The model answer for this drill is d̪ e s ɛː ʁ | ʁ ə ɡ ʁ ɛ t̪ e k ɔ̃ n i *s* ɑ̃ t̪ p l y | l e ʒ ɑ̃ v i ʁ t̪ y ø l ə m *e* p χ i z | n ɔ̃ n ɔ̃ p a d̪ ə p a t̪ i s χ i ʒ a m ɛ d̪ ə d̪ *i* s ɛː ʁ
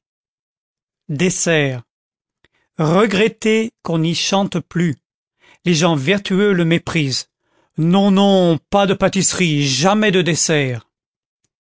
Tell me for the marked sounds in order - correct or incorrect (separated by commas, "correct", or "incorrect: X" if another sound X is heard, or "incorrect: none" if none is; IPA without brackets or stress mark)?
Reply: incorrect: ʃ, correct, incorrect: e